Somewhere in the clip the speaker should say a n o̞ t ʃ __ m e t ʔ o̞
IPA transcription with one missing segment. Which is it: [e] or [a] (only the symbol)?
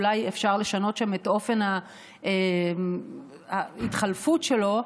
a